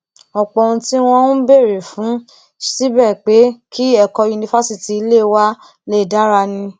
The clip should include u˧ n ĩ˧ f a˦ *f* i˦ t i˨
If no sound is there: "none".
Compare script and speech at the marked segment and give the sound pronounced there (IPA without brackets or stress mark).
s